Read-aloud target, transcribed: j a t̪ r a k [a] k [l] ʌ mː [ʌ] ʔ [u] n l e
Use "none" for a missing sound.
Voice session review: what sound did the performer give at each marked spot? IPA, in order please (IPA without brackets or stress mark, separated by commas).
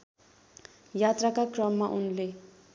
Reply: a, r, a, u